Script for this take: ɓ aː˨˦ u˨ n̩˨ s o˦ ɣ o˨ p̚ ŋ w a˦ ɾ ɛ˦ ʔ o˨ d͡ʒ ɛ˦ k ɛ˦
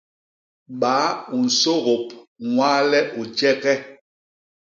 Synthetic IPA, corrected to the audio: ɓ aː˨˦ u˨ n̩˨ s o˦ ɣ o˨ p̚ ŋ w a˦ l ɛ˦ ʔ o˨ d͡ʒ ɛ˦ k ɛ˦